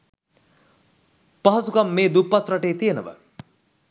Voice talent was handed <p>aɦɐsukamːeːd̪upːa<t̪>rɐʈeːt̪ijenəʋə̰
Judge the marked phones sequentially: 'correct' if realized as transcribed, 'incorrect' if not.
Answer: correct, correct

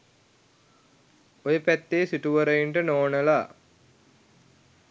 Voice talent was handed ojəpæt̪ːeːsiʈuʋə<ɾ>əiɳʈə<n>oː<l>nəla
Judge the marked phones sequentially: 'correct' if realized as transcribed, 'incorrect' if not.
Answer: correct, correct, incorrect

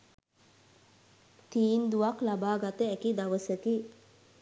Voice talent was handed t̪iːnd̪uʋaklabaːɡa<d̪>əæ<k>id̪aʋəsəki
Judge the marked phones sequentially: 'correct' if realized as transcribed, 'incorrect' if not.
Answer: incorrect, correct

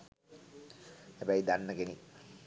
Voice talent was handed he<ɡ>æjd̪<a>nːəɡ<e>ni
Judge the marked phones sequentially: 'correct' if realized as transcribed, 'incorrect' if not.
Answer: incorrect, correct, correct

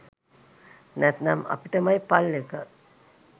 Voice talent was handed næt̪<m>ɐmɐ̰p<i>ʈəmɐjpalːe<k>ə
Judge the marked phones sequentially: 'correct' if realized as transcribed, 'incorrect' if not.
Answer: incorrect, correct, correct

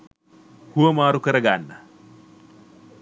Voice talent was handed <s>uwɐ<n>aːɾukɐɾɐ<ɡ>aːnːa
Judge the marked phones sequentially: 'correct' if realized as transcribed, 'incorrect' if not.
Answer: incorrect, incorrect, correct

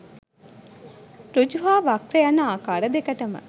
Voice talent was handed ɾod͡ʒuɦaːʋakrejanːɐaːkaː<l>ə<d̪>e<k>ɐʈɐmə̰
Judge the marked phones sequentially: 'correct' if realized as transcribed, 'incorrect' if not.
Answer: incorrect, correct, correct

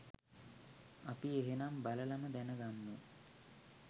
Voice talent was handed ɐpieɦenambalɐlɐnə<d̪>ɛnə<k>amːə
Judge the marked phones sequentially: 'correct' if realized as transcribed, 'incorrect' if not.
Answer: correct, incorrect

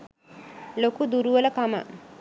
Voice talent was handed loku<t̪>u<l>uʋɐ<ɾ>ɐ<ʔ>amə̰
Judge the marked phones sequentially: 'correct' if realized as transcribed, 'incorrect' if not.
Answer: incorrect, incorrect, incorrect, incorrect

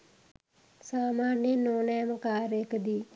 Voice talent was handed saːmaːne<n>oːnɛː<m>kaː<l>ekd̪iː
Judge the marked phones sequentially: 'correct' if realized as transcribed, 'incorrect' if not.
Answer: correct, correct, incorrect

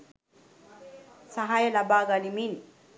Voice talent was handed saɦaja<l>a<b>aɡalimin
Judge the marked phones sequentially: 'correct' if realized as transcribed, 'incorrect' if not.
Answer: correct, correct

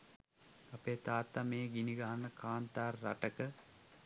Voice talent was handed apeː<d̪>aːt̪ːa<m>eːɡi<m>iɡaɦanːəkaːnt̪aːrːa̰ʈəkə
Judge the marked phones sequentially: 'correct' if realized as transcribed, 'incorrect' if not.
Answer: incorrect, correct, incorrect

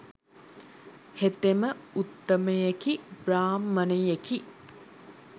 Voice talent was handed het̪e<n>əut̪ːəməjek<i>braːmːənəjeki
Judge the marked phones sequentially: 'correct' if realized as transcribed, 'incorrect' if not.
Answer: incorrect, correct

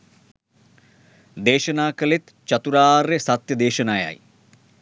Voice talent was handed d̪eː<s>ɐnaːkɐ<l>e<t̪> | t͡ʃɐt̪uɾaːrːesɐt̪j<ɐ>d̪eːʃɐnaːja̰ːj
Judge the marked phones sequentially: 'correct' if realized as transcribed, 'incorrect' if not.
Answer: incorrect, correct, correct, correct

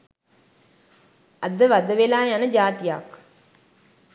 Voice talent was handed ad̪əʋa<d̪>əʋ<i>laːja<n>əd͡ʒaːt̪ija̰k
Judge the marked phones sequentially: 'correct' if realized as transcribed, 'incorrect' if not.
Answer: correct, incorrect, correct

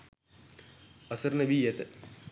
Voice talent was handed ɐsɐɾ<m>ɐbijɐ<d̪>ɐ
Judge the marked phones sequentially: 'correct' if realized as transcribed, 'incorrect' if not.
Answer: incorrect, incorrect

